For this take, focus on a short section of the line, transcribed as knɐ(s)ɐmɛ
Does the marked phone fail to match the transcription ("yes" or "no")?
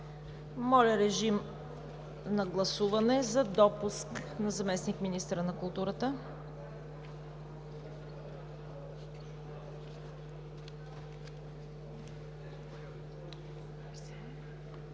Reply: yes